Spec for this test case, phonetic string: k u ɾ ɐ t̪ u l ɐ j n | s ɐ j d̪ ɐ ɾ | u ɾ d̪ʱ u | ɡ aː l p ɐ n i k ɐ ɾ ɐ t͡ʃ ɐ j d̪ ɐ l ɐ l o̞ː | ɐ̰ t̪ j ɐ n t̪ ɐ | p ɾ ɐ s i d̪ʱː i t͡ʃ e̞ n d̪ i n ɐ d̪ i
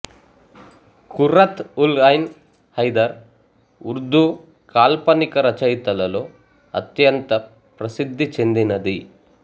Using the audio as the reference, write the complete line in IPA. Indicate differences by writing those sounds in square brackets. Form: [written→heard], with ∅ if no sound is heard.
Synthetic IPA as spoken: k u ɾ ɐ t̪ u l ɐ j n | [s→h] ɐ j d̪ ɐ ɾ | u ɾ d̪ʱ u | [ɡ→k] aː l p ɐ n i k ɐ ɾ ɐ t͡ʃ ɐ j [d̪→t̪] ɐ l ɐ l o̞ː | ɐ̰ t̪ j ɐ n t̪ ɐ | p ɾ ɐ s i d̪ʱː i t͡ʃ e̞ n d̪ i n ɐ d̪ i